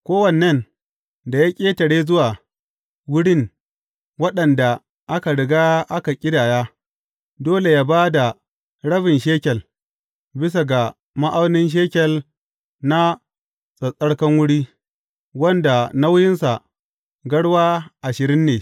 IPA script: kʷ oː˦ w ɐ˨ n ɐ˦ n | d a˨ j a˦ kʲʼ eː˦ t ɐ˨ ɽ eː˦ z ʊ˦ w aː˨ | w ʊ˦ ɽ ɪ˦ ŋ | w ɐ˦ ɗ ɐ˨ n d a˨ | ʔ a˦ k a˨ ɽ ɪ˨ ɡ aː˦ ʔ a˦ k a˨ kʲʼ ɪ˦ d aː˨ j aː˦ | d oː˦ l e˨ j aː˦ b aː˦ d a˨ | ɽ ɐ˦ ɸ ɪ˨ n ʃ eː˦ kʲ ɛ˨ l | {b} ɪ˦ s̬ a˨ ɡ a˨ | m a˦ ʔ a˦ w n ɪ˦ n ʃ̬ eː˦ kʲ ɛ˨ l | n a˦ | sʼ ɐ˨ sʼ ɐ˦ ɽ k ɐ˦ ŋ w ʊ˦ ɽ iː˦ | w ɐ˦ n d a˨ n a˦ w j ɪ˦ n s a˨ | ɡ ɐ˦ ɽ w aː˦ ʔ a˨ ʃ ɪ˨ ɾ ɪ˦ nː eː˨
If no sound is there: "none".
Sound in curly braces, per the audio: b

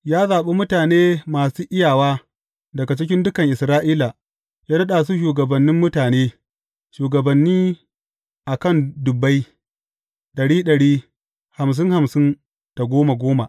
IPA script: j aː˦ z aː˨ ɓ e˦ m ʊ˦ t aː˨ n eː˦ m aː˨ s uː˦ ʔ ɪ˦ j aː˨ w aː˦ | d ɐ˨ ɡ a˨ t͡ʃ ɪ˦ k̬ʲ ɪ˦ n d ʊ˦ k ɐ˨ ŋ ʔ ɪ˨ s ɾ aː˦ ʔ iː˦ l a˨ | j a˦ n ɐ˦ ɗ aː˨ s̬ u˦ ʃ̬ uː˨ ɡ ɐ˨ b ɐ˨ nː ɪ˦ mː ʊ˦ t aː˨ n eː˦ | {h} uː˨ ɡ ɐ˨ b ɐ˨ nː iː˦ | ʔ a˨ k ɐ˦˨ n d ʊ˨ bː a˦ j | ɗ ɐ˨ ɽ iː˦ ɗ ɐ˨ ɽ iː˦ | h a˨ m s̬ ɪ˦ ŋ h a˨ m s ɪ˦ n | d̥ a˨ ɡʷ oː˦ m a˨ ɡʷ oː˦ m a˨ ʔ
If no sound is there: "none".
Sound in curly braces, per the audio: ʃ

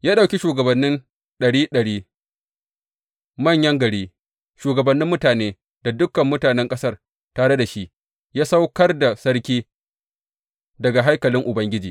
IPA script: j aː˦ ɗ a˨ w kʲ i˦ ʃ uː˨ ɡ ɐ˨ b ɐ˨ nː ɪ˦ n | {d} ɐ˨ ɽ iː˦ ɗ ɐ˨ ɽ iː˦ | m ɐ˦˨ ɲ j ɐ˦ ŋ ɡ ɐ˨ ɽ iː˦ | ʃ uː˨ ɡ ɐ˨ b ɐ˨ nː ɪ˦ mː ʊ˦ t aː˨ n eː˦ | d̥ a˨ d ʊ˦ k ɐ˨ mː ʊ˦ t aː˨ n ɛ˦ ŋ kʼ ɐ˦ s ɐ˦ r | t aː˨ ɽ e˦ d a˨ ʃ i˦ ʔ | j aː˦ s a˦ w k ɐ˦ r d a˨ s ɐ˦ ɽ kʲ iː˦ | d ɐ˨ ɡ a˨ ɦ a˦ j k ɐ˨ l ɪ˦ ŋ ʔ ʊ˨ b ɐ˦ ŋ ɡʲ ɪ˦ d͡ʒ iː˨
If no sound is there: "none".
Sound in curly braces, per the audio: ɗ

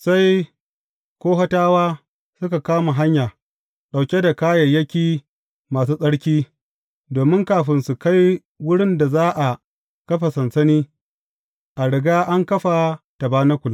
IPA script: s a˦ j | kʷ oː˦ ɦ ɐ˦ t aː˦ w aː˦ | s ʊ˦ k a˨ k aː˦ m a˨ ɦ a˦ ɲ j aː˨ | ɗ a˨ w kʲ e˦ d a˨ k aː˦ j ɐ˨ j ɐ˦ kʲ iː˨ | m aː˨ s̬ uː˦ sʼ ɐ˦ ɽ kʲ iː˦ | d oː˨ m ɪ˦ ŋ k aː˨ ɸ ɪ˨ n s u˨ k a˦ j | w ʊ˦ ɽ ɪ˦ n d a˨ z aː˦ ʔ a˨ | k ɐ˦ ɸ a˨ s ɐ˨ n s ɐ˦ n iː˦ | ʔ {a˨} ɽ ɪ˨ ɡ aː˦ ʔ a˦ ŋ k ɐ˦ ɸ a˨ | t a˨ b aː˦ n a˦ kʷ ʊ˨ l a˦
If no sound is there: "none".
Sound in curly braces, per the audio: a˨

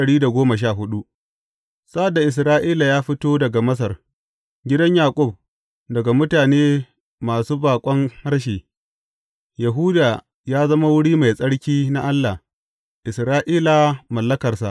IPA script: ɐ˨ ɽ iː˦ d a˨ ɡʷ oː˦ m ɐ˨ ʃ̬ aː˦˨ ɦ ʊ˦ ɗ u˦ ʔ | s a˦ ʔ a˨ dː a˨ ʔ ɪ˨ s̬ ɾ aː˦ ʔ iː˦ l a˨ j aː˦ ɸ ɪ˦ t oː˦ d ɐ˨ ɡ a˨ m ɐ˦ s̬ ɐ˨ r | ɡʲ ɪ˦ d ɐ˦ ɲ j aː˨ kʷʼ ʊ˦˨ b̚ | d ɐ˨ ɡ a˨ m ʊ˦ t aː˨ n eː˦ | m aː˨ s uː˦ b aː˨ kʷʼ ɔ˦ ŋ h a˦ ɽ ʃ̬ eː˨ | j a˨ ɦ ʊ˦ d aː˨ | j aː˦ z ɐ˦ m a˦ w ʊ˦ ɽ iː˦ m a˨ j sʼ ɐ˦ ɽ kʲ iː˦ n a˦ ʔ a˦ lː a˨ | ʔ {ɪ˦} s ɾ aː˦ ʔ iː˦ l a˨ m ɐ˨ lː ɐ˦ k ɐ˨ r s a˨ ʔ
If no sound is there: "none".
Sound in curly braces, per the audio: ɪ˨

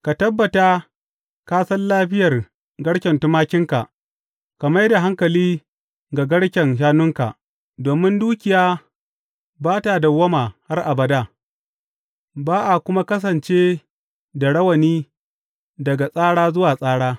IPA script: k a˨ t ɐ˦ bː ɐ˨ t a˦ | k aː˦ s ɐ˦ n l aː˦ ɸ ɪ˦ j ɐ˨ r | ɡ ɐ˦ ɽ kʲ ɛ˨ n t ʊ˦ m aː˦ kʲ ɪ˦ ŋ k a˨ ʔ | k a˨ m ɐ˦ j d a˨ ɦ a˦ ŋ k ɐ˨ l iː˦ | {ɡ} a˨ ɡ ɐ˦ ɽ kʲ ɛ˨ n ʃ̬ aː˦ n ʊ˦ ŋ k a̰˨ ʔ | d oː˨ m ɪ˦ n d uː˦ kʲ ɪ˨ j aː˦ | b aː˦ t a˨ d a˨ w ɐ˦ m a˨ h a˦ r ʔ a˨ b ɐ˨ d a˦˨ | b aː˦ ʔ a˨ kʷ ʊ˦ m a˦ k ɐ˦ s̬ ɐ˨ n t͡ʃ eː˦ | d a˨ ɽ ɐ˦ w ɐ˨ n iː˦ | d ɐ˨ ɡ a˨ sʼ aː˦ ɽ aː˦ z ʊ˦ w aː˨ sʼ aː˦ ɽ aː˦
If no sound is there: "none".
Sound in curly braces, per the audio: ɡ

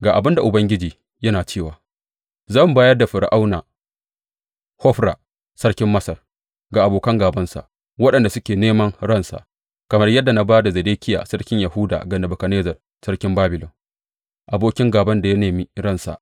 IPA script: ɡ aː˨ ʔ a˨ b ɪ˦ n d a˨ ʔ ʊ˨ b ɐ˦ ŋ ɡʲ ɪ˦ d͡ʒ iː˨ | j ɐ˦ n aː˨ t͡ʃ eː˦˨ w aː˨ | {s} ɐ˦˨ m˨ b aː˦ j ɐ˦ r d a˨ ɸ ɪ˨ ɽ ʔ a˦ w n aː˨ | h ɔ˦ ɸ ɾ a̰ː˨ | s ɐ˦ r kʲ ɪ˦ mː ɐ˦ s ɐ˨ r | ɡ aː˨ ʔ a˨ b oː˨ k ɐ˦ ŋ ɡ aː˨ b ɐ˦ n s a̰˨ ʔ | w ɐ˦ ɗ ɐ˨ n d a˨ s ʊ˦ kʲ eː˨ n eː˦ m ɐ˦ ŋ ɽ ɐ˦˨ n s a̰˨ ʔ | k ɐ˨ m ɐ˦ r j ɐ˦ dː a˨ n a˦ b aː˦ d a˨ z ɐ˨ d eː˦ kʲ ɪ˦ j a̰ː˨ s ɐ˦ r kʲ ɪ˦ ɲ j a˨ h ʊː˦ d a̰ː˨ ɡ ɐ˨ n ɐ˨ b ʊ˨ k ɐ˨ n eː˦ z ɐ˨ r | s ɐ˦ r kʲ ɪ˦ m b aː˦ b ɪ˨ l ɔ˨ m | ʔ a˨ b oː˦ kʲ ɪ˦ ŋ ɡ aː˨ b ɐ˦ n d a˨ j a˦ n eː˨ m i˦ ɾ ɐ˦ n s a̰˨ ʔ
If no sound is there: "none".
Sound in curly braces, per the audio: z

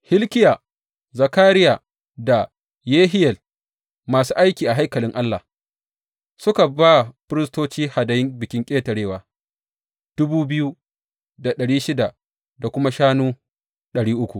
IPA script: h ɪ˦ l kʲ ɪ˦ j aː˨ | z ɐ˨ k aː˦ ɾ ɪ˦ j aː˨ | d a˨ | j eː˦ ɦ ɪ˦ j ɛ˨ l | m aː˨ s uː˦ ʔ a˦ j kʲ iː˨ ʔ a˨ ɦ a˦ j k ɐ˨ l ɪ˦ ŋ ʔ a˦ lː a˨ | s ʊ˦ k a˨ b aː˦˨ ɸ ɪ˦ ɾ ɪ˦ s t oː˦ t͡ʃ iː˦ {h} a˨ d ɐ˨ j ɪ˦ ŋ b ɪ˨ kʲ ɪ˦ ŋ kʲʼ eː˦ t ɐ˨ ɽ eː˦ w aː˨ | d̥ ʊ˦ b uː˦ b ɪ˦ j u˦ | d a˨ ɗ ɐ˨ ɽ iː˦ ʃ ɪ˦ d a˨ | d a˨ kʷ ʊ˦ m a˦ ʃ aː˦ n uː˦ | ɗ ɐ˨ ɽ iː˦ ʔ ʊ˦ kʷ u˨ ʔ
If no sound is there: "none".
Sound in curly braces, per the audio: h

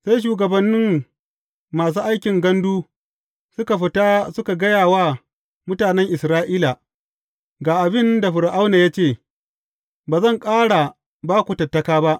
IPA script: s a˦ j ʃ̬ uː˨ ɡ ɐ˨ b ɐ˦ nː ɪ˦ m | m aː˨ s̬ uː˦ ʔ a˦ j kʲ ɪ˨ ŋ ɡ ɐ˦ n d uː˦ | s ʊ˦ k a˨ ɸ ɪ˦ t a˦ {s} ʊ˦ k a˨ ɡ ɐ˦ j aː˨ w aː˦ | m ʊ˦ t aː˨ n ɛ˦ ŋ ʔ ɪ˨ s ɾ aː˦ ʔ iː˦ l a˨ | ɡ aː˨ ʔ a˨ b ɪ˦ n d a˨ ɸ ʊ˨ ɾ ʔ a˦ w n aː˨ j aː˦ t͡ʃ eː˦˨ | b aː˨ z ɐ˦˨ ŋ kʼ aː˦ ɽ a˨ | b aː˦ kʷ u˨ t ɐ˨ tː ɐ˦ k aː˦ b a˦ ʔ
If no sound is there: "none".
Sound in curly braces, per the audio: s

